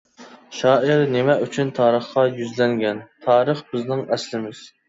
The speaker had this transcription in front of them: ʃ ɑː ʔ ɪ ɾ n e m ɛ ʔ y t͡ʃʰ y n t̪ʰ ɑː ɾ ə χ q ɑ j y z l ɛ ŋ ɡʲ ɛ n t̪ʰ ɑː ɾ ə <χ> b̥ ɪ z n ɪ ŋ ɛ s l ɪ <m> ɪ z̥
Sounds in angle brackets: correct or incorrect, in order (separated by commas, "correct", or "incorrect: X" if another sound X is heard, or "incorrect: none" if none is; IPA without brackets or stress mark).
correct, correct